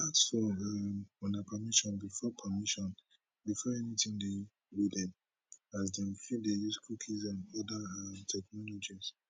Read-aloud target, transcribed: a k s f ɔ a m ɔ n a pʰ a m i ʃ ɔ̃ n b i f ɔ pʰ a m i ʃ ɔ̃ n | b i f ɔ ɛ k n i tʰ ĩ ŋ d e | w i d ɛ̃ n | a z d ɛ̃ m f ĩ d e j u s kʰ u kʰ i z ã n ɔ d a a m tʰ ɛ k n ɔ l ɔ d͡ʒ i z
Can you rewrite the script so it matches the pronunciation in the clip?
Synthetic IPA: a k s f ɔ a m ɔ n a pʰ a m i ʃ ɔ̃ n b i f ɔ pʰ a m i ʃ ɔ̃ n | b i f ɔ ɛ n i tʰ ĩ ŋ d e | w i d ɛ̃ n | a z d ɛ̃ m f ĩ d e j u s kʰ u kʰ i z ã n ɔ d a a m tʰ ɛ k n ɔ l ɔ d͡ʒ i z